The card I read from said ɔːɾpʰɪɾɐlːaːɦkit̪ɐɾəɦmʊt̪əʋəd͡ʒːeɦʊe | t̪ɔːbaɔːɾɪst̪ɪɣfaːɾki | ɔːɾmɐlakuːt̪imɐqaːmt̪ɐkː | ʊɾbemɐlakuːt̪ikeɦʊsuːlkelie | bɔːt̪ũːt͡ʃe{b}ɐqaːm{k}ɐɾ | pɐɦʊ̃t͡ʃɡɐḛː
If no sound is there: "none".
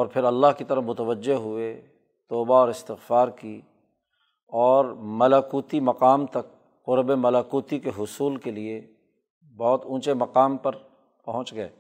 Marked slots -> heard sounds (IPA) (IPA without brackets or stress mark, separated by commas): m, p